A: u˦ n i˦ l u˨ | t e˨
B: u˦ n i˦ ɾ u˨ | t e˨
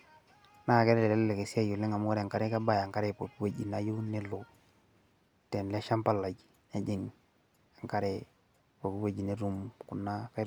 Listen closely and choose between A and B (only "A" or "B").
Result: A